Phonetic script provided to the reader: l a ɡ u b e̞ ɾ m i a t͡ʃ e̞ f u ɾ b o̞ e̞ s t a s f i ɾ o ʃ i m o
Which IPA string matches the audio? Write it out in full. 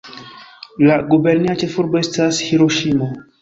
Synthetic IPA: l a ɡ u b e̞ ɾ n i a t͡ʃ e̞ f u ɾ b o̞ e̞ s t a s h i ɾ o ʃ i m o

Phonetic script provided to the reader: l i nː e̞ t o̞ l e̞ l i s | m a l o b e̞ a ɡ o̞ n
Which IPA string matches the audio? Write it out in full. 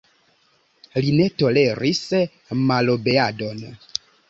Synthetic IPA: l i n e̞ t o̞ l e̞ ɾ i s | m a l o b e̞ a d o̞ n

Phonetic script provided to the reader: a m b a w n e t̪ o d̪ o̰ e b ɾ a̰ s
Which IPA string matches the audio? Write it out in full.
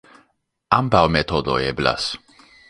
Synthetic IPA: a m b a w m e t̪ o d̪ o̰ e b l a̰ s

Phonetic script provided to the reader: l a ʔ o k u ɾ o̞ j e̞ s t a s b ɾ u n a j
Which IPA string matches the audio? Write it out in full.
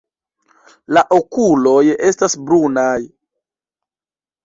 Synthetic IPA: l a ʔ o k u l o̞ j e̞ s t a s b ɾ u n a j

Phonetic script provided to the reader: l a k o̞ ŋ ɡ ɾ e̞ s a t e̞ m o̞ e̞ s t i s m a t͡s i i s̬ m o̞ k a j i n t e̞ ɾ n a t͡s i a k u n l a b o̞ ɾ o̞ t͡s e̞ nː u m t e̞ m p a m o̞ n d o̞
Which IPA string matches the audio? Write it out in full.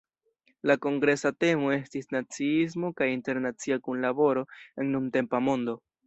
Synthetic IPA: l a k o̞ ŋ ɡ ɾ e̞ s a t e̞ m o̞ e̞ s t i s n a t͡s i i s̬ m o̞ k a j i n t e̞ ɾ n a t͡s i a k u n l a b o̞ ɾ o̞ e̞ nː u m t e̞ m p a m o̞ n d o̞

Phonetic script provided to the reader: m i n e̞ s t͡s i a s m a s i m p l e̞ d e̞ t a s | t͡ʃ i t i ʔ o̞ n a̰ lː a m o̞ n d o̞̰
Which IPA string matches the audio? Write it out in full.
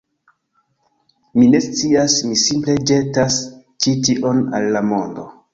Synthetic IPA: m i n e̞ s t͡s i a s m i s i m p l e̞ d͡ʒ e̞ t a s | t͡ʃ i t i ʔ o̞ n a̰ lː a m o̞ n d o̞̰

